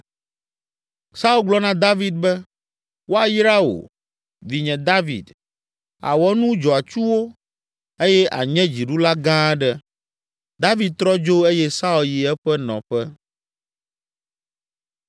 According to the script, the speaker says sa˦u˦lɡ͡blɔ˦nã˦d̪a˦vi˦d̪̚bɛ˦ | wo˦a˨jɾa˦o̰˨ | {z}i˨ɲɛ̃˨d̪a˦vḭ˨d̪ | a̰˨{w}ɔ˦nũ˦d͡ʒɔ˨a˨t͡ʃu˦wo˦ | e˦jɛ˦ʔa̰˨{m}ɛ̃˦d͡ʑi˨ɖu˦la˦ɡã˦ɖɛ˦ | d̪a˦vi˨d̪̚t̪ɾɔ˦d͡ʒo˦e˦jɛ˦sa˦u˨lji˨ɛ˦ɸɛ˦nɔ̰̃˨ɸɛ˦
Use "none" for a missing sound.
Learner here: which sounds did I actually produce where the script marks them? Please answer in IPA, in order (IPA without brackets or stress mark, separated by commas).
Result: v, w, ɲ